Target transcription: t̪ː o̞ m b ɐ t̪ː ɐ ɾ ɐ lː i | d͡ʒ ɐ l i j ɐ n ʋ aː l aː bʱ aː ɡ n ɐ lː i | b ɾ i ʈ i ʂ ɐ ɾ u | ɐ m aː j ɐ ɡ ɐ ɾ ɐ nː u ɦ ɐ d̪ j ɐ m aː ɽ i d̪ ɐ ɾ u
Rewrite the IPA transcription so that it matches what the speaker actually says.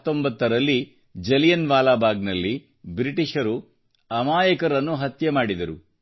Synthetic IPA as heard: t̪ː o̞ m b ɐ t̪ː ɐ ɾ ɐ lː i | d͡ʒ ɐ l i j ɐ n ʋ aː l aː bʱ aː ɡ n ɐ lː i | b ɾ i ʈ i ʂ ɐ ɾ u | ɐ m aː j ɐ k ɐ ɾ ɐ nː u ɦ ɐ t̪ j ɐ m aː ɽ i d̪ ɐ ɾ u